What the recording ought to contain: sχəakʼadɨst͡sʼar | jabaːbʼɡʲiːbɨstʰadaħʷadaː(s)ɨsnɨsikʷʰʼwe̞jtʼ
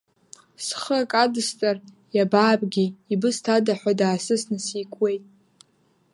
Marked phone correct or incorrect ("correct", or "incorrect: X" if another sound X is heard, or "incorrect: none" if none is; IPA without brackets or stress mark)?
correct